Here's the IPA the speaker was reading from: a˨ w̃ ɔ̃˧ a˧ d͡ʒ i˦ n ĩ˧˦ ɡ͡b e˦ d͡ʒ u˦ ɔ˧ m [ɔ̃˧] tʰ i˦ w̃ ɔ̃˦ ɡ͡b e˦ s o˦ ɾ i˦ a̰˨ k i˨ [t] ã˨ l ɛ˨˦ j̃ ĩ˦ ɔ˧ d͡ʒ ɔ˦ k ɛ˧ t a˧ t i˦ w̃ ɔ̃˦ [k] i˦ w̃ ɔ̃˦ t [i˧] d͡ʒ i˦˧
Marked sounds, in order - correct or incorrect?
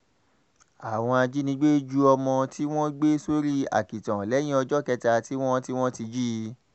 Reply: correct, correct, incorrect: t, correct

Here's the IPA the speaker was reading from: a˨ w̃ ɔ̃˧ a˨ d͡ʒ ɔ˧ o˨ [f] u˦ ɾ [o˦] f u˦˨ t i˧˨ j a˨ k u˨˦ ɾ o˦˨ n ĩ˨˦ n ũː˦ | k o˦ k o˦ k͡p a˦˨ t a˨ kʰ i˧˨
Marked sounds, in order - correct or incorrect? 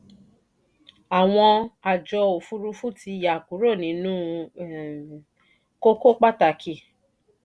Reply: correct, incorrect: u˦

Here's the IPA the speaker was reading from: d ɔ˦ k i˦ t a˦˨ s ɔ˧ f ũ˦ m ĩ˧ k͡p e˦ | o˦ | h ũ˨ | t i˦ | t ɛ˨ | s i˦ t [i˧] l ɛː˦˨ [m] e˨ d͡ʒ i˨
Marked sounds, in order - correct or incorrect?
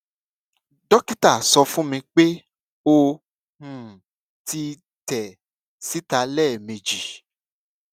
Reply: incorrect: a˧, correct

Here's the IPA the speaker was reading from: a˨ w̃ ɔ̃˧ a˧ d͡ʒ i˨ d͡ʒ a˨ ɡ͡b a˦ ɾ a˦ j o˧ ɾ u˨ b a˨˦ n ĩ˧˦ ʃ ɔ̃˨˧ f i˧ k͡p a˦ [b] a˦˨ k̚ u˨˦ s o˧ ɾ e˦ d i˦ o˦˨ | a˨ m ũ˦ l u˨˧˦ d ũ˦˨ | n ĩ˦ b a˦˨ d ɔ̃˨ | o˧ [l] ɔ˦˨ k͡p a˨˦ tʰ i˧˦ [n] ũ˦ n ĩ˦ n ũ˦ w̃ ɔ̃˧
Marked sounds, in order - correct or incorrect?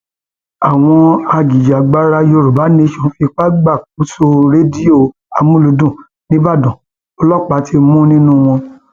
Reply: incorrect: ɡ͡b, correct, incorrect: m

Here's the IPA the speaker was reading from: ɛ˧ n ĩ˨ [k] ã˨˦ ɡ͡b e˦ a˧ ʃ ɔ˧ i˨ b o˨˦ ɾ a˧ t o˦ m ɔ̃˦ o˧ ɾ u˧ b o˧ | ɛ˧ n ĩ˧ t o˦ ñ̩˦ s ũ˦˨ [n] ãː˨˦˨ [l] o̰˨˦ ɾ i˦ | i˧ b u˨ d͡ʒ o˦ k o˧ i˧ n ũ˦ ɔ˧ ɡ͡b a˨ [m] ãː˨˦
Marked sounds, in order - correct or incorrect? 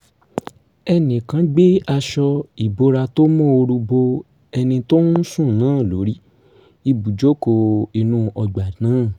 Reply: correct, correct, correct, incorrect: n

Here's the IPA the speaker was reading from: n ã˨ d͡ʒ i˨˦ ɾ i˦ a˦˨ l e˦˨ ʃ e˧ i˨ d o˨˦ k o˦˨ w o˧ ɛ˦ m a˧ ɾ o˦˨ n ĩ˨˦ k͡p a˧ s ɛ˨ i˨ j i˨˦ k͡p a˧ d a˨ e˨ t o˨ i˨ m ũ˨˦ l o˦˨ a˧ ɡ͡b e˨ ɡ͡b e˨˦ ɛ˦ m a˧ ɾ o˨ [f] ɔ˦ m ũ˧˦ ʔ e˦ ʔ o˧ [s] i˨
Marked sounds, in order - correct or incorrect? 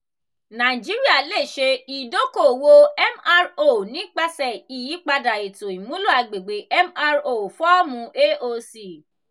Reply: correct, correct

